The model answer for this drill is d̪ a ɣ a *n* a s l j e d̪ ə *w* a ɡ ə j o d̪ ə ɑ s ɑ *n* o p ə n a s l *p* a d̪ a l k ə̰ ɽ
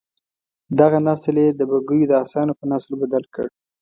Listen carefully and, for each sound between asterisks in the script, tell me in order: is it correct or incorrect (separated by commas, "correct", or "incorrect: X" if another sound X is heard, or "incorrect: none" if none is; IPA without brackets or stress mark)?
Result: correct, incorrect: b, correct, incorrect: b